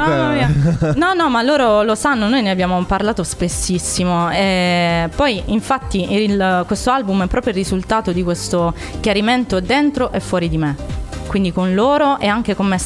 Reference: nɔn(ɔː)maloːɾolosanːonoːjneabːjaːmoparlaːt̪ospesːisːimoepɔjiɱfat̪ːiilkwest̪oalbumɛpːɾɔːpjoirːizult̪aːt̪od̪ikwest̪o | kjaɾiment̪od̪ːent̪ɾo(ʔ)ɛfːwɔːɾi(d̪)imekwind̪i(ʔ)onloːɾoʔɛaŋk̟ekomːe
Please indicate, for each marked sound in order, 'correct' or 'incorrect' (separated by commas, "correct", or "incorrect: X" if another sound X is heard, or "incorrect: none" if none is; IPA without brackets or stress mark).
incorrect: ɔ, correct, correct, incorrect: k